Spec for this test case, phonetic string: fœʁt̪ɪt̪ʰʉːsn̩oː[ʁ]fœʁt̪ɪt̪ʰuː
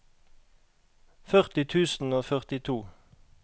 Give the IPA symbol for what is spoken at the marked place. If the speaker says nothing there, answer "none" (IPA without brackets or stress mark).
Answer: none